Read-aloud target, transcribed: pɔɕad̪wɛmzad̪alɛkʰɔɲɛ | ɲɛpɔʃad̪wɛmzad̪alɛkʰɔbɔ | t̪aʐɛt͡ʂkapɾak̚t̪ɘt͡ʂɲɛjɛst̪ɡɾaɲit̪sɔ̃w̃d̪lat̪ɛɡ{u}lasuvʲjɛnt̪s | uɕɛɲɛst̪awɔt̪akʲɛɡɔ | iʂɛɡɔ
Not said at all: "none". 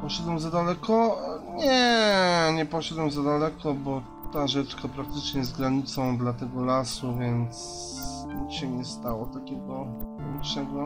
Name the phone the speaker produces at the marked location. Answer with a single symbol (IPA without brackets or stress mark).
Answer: ɔ